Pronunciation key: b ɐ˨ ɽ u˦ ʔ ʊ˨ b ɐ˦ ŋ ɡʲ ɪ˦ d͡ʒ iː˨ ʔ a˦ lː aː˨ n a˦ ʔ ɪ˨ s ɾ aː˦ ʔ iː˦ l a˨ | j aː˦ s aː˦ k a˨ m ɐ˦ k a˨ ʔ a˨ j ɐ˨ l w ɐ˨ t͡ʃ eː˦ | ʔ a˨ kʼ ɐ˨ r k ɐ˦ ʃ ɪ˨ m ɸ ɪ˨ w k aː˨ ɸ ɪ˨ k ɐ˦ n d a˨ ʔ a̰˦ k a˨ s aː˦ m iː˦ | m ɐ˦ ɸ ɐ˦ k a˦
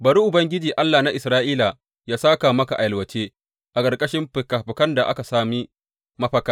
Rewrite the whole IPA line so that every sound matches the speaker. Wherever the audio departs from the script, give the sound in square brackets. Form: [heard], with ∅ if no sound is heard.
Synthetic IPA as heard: b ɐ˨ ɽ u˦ ʔ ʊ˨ b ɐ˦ ŋ ɡʲ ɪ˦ d͡ʒ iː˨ ʔ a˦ lː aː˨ n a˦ ʔ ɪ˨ s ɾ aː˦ ʔ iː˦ l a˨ | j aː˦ s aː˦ k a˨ m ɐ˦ k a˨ ʔ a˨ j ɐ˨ l w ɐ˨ t͡ʃ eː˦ | ʔ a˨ kʼ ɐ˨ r [kʼ] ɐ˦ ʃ [ɪ˦] m ɸ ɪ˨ [∅] k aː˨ ɸ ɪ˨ k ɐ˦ n d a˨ ʔ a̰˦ k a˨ s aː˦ m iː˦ | m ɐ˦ ɸ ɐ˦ k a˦